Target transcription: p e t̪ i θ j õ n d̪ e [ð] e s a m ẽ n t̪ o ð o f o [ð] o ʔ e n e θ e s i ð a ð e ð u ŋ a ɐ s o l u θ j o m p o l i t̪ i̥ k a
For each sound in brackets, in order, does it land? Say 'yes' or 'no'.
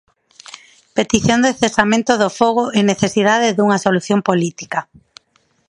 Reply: no, no

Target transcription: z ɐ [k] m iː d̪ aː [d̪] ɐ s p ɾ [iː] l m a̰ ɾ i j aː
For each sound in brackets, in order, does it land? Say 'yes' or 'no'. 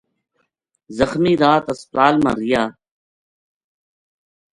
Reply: no, no, no

